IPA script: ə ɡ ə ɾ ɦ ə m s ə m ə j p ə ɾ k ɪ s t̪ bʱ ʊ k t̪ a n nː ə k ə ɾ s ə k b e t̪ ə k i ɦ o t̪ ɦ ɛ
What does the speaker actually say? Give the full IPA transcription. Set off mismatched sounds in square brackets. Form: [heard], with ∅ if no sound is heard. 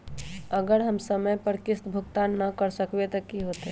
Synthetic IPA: ə ɡ ə ɾ ɦ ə m s ə m ə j p ə ɾ k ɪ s t̪ bʱ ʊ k t̪ a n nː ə k ə ɾ s ə k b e t̪ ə k i ɦ o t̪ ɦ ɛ